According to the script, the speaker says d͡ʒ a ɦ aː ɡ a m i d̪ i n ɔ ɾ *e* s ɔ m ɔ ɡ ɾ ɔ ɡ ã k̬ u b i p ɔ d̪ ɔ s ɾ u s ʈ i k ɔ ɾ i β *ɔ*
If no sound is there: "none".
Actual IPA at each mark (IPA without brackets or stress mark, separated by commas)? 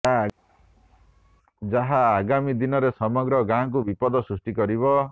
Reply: e, ɔ